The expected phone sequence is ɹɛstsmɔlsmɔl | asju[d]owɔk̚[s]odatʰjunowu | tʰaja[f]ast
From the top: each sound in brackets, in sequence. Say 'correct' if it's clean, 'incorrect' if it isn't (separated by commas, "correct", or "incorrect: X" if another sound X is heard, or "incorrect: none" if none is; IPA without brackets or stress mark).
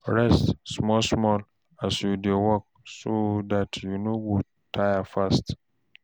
correct, correct, correct